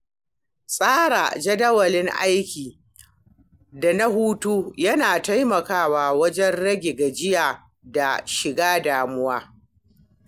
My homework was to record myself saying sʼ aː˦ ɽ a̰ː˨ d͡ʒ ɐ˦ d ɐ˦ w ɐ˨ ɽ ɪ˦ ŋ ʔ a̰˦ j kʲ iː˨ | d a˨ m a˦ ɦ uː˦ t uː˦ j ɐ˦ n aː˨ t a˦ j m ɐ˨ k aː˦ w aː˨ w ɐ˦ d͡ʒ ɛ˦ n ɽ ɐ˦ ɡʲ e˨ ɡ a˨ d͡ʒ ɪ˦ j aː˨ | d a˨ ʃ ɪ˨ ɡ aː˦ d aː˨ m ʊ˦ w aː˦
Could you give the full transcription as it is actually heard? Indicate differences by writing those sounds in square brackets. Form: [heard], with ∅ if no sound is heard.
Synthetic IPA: sʼ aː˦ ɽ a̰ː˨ d͡ʒ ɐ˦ d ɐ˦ w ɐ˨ [l] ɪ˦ ŋ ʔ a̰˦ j kʲ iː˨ | d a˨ [n] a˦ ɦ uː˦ t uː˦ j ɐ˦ n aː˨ t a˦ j m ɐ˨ k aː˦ w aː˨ w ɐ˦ d͡ʒ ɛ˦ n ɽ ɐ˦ ɡʲ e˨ ɡ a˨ d͡ʒ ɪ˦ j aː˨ | d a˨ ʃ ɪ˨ ɡ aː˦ d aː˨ m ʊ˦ w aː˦